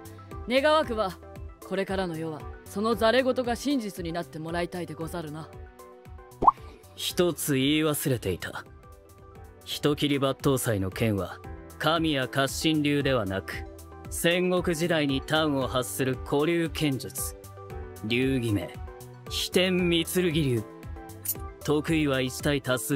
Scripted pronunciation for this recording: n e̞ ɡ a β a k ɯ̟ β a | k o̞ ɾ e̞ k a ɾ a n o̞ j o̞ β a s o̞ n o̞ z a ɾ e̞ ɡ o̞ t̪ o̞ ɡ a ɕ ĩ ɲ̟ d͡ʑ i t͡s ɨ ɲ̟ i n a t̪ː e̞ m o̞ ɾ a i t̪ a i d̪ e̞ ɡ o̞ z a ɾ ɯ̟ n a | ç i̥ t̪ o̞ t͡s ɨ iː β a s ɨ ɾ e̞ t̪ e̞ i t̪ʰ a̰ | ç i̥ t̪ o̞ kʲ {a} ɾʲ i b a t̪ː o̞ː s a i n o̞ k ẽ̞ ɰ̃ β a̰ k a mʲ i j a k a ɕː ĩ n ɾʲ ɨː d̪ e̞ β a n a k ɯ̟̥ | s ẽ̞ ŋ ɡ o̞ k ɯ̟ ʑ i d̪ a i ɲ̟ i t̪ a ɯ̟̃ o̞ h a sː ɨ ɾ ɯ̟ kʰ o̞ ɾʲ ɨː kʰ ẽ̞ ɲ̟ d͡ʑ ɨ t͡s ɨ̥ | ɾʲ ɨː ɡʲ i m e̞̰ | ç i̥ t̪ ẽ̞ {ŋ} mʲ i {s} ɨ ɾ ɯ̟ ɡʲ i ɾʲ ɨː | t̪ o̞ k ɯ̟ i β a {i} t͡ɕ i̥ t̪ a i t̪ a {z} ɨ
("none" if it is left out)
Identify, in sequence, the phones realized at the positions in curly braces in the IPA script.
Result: i, m, t͡s, i, s

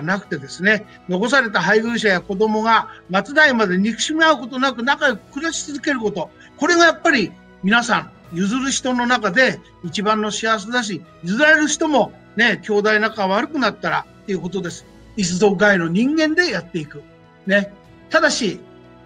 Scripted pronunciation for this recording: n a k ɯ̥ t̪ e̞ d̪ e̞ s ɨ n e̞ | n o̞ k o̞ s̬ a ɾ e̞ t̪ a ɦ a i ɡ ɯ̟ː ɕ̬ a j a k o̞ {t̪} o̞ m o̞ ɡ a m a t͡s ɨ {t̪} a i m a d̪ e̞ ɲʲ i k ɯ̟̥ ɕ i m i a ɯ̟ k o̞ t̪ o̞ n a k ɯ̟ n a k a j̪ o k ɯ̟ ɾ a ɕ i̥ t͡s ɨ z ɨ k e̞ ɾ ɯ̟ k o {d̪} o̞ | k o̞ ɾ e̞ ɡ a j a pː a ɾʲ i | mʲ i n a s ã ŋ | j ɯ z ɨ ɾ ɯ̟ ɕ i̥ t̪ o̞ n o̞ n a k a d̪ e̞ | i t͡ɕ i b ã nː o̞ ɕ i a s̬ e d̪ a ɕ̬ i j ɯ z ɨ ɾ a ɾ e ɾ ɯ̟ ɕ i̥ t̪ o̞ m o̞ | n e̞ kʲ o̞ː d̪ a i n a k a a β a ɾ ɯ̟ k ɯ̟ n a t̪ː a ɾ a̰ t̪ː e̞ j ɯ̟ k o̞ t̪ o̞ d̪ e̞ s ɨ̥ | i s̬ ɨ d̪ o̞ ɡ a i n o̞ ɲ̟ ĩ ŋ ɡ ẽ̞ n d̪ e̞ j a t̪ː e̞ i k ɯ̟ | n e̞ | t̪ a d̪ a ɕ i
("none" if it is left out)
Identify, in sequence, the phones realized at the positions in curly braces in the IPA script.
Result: d̪, d̪, t̪

